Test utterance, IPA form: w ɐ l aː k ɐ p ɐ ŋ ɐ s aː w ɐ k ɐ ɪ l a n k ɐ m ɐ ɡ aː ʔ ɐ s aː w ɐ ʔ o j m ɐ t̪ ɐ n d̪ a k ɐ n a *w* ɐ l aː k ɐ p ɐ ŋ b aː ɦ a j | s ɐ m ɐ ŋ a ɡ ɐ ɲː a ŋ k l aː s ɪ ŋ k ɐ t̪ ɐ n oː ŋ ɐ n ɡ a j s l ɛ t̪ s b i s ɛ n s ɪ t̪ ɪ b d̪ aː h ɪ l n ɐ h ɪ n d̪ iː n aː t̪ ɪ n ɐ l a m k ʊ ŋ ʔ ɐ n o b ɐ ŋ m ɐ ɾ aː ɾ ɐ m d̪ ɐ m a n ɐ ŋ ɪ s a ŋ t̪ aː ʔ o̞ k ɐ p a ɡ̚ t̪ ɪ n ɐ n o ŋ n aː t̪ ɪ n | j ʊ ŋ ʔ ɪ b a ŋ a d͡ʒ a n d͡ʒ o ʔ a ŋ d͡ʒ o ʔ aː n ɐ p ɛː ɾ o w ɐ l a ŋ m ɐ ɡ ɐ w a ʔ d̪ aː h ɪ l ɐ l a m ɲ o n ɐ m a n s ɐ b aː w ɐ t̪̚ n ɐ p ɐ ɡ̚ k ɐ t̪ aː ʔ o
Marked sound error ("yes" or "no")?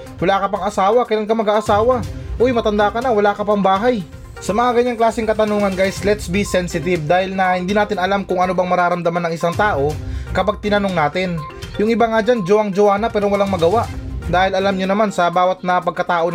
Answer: no